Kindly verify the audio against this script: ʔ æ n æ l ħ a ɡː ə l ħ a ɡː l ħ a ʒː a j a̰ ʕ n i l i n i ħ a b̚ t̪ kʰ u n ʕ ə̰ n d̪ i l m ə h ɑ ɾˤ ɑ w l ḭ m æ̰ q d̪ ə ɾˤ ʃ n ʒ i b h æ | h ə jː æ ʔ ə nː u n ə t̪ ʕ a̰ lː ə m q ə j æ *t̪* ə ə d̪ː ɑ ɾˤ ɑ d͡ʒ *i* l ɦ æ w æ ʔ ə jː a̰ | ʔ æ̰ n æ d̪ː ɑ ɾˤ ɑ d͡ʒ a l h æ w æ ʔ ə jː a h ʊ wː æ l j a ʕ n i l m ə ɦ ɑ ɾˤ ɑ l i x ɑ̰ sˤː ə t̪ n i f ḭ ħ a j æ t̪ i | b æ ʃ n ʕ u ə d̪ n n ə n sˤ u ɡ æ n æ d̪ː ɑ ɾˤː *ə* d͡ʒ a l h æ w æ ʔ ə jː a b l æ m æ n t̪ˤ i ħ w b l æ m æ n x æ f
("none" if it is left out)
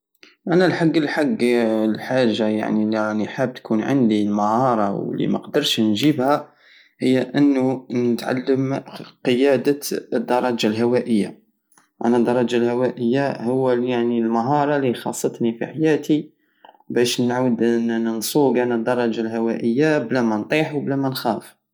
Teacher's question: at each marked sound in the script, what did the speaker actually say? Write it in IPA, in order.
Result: d̪, a, ɑ

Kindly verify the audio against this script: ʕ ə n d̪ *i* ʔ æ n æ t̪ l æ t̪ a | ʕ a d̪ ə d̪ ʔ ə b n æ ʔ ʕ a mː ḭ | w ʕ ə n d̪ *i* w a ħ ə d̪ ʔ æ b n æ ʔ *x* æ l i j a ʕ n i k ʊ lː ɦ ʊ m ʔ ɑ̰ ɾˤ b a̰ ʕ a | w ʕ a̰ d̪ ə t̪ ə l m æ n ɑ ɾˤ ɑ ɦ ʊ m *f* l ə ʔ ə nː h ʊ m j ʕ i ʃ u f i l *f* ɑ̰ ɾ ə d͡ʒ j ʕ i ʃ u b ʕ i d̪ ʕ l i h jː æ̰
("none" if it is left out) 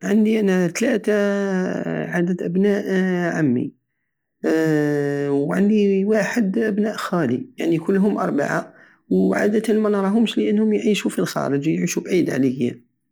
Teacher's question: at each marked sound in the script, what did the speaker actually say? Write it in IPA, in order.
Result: i, i, x, ʃ, x

